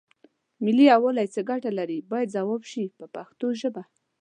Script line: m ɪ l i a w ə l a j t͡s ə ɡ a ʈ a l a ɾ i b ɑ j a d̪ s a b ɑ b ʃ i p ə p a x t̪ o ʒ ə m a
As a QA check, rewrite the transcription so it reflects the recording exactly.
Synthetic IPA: m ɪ l i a w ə l a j t͡s ə ɡ a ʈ a l a ɾ i b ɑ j a d̪ z a w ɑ b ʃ i p ə p a x t̪ o ʒ ə b a